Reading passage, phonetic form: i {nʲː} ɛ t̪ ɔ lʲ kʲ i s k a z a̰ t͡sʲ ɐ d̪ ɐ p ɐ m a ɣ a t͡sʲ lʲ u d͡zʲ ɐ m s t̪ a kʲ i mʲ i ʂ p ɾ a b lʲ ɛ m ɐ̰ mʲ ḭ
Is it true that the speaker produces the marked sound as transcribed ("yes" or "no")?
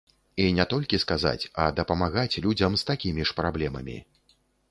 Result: no